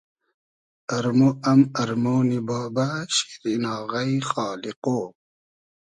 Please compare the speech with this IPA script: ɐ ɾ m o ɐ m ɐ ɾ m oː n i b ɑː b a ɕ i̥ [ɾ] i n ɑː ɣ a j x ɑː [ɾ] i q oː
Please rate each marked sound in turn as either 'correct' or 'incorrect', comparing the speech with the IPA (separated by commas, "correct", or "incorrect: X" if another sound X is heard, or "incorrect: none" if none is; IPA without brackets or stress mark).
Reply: correct, incorrect: l